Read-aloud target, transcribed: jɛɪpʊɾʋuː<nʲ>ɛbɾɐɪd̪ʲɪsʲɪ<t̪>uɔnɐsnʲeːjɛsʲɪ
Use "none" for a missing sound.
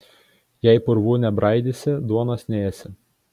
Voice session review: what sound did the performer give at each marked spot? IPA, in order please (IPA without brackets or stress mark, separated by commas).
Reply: nʲ, d̪